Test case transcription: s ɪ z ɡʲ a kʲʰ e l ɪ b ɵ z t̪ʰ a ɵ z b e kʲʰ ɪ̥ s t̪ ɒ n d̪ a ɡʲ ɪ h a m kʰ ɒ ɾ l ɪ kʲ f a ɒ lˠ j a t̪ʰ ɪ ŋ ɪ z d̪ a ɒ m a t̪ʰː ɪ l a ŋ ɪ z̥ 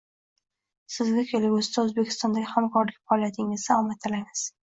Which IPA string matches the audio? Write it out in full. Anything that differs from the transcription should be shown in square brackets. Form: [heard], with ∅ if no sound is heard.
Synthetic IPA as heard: s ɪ z ɡʲ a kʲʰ e l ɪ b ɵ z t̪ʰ a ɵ z b e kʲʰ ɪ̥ s t̪ ɒ n d̪ a ɡʲ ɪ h a m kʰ ɒ ɾ l ɪ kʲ f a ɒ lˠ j a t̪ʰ ɪ ŋ ɪ z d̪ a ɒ m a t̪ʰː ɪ l a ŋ ɪ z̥